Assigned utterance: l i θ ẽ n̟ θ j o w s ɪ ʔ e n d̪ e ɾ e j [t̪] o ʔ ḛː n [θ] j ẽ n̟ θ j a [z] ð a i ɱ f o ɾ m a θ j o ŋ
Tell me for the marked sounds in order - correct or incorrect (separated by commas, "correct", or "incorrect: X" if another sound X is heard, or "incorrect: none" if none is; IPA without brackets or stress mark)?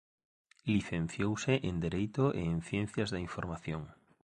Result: correct, correct, correct